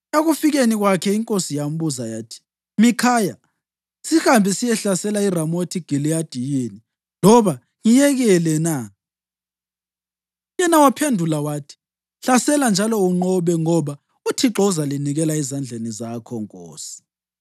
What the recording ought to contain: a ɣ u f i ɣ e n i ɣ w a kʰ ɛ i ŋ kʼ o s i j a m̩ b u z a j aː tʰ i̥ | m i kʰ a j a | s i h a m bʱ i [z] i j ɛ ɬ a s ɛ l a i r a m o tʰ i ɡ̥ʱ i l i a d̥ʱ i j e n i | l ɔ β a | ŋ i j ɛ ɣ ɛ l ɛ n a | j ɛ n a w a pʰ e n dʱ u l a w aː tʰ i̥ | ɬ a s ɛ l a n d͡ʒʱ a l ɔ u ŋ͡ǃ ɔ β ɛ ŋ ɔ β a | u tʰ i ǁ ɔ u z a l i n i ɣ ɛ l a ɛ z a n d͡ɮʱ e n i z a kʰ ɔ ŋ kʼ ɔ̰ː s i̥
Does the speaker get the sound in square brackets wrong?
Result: yes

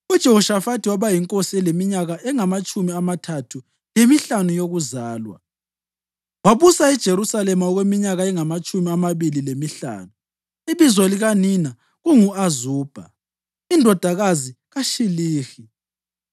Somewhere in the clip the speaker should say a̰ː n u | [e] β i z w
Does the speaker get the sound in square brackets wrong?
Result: yes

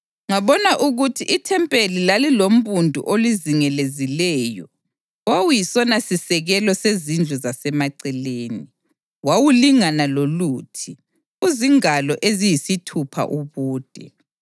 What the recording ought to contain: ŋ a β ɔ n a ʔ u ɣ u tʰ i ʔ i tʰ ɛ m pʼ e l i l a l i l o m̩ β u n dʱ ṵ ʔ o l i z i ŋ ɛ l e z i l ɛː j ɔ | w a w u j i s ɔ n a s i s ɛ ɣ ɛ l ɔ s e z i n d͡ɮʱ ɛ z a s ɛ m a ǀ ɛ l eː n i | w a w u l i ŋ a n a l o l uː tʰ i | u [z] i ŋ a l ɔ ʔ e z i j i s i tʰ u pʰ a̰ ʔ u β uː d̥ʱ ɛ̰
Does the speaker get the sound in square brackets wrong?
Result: no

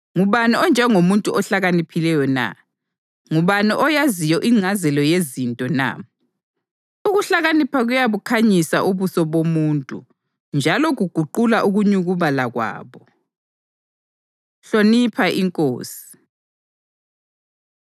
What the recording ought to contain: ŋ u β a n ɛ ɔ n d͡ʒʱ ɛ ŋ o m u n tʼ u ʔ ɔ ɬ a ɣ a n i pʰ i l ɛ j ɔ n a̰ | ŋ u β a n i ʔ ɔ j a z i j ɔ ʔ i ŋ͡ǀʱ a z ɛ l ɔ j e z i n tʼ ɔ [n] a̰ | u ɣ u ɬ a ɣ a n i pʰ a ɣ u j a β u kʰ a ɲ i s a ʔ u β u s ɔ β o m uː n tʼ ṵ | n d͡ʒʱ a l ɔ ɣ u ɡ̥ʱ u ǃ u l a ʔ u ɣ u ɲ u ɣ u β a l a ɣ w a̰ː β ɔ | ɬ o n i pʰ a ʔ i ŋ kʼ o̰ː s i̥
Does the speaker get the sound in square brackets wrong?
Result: no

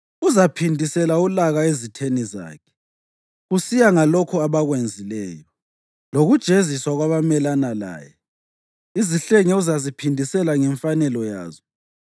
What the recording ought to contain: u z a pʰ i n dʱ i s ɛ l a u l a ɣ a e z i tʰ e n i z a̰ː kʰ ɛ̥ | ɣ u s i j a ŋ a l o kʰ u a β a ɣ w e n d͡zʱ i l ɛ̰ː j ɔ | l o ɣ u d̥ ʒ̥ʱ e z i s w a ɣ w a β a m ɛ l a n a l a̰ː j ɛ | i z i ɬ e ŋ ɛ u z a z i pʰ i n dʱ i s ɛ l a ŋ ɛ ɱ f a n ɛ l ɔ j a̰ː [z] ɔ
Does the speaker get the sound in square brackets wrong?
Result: no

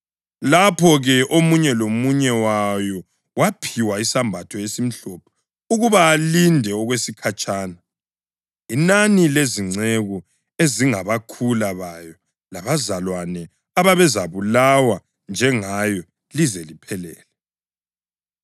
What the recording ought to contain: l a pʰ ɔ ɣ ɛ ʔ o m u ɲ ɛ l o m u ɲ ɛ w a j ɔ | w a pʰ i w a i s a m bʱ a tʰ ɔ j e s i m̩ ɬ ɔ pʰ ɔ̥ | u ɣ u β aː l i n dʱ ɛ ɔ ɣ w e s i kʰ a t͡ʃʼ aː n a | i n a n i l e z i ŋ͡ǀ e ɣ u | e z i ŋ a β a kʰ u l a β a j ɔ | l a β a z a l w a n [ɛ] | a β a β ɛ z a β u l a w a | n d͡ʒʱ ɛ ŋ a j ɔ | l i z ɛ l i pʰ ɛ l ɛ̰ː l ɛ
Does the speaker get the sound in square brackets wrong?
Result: no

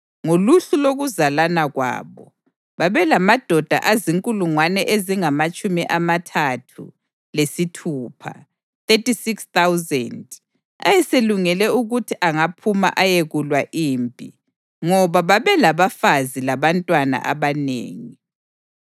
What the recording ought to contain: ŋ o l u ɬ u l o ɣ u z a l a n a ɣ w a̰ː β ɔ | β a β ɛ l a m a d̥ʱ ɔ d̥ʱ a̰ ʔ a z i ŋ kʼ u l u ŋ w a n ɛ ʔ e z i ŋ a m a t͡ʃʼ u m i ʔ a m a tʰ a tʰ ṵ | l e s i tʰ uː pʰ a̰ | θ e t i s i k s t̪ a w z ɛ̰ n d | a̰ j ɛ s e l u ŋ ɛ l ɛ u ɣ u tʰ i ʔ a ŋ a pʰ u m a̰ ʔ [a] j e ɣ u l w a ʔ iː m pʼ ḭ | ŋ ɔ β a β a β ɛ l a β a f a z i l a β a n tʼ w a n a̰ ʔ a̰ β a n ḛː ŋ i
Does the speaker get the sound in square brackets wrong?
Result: no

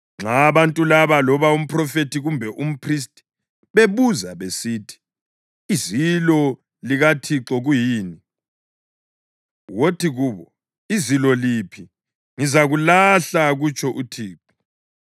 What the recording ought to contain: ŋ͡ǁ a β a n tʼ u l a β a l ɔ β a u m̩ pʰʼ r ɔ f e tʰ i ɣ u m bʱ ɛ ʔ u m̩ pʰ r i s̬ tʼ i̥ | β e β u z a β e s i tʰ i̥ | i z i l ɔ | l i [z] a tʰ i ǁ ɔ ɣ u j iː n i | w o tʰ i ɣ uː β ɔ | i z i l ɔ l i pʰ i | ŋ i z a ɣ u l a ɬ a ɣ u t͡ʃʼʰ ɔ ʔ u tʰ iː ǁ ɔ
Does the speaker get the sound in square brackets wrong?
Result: yes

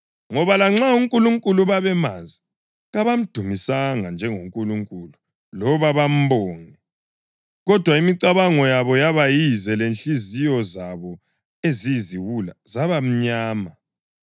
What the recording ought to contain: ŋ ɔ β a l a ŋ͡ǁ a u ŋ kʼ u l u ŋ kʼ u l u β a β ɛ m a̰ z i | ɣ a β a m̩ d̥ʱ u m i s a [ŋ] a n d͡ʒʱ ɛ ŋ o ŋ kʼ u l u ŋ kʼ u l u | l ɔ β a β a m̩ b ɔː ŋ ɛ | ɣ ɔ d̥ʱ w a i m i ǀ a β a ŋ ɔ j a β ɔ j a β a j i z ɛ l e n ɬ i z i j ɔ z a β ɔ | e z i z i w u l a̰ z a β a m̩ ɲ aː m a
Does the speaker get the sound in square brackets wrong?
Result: no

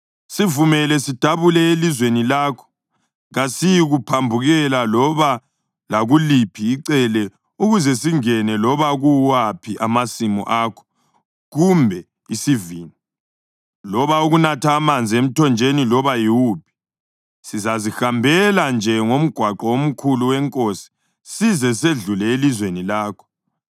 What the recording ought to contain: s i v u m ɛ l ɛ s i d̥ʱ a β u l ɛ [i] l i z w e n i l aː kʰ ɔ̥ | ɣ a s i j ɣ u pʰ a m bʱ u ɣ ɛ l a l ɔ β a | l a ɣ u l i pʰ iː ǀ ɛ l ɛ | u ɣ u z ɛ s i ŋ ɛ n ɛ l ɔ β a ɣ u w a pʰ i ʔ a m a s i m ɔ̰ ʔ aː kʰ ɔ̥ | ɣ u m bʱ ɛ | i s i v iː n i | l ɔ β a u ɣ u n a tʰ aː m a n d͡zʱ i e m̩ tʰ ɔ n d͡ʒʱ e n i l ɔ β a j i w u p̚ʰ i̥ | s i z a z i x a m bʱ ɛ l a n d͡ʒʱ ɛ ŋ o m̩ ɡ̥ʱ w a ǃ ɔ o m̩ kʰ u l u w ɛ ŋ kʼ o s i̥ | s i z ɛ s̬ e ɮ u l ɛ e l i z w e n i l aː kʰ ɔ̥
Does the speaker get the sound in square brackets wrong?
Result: yes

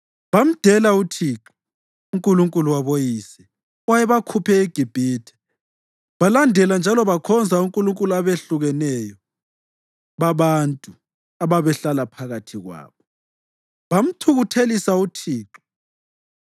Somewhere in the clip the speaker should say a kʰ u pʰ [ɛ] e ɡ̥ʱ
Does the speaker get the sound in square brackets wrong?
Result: no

